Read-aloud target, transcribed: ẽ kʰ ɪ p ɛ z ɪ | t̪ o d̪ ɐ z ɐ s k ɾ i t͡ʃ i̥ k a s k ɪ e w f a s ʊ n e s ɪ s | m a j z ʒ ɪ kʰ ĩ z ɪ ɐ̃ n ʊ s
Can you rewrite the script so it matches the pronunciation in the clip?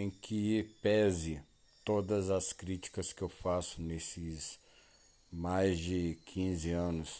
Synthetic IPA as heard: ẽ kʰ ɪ p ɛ z ɪ | t̪ o d̪ ɐ z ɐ s k ɾ i t͡ʃ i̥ k ɐ s k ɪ e w f a s ʊ n e s ɪ s | m a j z d͡ʒ ɪ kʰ ĩ z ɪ ɐ̃ n ʊ s